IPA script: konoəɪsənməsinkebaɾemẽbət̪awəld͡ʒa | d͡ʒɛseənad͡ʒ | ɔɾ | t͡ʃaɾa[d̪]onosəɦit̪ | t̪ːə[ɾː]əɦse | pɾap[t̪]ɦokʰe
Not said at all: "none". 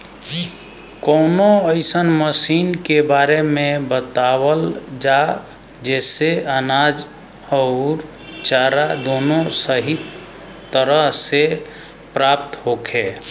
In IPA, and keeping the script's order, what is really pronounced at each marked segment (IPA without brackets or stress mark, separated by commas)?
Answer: d̪, ɾ, t̪